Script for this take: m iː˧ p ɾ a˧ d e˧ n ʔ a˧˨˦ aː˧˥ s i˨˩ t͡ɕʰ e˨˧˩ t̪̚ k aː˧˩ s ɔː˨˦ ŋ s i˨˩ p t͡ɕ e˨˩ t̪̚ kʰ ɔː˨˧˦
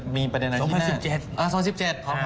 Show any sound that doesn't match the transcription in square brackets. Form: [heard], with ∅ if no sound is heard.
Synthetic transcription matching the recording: m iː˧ p ɾ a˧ d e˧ n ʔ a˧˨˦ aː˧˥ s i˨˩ [t͡ɕ] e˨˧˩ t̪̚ [ʔ] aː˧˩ s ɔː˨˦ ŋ s i˨˩ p t͡ɕ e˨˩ t̪̚ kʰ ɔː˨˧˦

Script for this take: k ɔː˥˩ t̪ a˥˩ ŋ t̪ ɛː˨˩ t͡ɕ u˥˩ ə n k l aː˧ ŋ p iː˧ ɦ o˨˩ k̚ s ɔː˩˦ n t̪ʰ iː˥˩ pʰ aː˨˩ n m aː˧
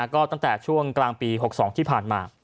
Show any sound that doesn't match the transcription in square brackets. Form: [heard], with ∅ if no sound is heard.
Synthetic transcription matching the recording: k ɔː˥˩ t̪ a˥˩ ŋ t̪ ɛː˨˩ [t͡ɕʰ] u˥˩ ə [ŋ] k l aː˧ ŋ p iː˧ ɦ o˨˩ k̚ s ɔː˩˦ [ŋ] t̪ʰ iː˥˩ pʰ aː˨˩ n m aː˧

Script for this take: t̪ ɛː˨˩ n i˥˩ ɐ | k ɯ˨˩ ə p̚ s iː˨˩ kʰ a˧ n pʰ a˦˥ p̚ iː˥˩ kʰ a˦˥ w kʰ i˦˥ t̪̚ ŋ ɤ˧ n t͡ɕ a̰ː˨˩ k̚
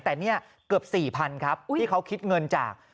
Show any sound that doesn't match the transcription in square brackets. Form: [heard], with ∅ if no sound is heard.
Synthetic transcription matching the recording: t̪ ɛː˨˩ n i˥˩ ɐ | k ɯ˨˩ ə p̚ s iː˨˩ [pʰ] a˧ n [kʰ] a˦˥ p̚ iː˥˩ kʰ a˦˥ w kʰ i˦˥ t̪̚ ŋ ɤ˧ n t͡ɕ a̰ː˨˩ k̚

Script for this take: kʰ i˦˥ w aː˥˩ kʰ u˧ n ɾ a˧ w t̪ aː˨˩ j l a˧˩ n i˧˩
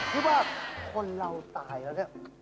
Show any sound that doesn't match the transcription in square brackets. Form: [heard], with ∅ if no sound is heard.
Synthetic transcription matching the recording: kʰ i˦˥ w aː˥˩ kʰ [o˧] n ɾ a˧ w t̪ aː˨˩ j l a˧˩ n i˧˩

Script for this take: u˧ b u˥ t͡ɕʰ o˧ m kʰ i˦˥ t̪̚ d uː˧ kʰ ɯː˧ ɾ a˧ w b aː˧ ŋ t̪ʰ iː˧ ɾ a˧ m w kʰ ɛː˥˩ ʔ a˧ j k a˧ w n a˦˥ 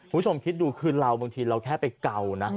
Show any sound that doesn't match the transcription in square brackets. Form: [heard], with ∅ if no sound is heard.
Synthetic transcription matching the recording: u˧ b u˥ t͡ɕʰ o˧ m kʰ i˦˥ t̪̚ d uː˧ kʰ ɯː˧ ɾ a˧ w b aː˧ ŋ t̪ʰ iː˧ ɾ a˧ [∅] w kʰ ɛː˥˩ [p] a˧ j k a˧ w n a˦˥

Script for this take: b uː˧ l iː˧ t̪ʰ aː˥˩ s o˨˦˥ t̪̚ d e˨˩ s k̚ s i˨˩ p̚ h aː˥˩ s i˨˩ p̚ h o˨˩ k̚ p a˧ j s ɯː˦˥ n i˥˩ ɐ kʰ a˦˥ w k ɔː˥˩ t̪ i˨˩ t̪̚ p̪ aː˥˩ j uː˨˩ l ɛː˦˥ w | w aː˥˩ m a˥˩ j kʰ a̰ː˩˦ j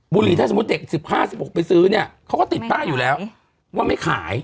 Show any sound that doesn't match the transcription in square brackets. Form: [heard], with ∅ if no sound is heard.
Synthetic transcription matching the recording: b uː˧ l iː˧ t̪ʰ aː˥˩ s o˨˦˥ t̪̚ d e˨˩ [∅] k̚ s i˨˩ p̚ h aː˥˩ s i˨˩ p̚ h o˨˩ k̚ p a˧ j s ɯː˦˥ n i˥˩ ɐ kʰ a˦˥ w k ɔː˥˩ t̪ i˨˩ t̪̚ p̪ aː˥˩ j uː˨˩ l ɛː˦˥ w | w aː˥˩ m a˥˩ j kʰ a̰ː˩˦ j

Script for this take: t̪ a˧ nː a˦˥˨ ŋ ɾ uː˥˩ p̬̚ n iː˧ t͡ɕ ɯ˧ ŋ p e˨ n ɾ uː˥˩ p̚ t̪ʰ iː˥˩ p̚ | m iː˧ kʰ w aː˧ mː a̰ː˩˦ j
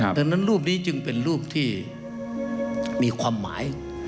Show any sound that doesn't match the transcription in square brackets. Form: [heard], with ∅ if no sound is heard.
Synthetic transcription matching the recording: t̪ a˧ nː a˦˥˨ [n] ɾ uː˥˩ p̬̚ n [iː˦˥] t͡ɕ ɯ˧ ŋ p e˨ n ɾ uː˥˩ p̚ t̪ʰ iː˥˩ [∅] | m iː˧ kʰ w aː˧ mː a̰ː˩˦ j

